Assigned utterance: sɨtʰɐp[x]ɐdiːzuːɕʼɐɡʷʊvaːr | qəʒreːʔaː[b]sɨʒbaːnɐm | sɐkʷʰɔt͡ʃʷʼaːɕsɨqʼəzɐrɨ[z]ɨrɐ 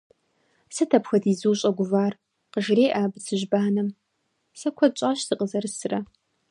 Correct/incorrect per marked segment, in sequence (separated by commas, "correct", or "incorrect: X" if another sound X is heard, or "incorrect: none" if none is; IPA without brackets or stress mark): correct, correct, incorrect: s